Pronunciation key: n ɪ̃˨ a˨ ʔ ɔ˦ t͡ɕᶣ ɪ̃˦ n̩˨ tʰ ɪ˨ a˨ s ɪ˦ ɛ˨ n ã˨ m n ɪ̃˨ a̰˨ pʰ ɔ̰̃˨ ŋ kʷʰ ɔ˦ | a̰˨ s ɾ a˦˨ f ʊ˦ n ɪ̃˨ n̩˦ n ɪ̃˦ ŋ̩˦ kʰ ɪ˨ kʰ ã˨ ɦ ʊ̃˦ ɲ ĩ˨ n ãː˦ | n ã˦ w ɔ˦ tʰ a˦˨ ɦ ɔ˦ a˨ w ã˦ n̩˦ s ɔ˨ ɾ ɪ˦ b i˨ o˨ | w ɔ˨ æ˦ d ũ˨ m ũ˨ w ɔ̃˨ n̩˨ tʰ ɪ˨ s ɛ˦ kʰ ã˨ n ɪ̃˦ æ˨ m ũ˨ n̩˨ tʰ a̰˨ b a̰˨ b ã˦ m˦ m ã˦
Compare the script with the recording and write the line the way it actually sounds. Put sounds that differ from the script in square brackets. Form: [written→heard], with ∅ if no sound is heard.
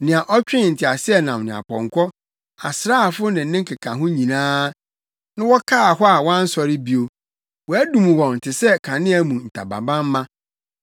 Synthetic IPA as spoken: n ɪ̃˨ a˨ ʔ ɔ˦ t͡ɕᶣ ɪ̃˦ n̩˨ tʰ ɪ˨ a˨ s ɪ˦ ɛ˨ n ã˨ m n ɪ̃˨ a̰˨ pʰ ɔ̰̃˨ ŋ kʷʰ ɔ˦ | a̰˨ s ɾ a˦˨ f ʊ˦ n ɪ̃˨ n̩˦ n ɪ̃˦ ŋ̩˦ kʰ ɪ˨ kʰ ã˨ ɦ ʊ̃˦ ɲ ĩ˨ n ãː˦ | n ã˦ w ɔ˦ [tʰ→kʰ] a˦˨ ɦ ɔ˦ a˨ w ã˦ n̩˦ s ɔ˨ ɾ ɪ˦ b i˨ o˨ | w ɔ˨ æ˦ d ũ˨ m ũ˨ w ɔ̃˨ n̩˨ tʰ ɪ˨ s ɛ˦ kʰ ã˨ n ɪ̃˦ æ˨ m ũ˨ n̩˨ tʰ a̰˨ b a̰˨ b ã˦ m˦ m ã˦